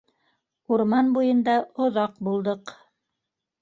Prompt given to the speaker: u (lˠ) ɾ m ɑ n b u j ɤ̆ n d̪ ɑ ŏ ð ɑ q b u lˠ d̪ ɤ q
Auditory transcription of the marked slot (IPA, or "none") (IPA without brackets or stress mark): none